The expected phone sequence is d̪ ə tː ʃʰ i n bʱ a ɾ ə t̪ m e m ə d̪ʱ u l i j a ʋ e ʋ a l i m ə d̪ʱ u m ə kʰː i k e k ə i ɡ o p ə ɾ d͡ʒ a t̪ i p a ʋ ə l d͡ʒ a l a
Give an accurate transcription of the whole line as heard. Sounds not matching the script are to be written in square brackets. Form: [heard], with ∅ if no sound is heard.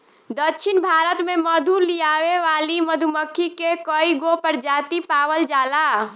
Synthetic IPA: d̪ ə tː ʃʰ i n bʱ a ɾ ə t̪ m e m ə d̪ʱ u l i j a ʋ e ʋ a l i m ə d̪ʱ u m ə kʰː i k e k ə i ɡ o p ə ɾ d͡ʒ a t̪ i p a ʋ ə l d͡ʒ a l a